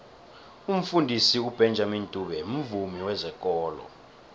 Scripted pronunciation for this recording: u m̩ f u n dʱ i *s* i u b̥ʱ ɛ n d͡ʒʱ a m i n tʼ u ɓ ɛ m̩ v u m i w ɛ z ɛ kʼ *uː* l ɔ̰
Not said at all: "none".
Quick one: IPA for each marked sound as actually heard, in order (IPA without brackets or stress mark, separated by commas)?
s, ɔː